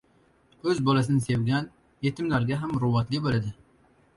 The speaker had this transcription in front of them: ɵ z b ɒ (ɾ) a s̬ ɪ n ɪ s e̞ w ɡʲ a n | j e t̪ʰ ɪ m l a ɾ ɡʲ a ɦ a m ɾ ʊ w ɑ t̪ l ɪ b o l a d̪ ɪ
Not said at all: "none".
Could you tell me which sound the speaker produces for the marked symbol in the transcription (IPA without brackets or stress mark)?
l